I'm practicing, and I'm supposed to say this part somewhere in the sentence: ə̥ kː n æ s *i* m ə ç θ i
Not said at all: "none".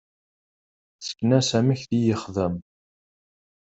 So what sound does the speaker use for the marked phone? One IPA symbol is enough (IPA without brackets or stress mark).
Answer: æ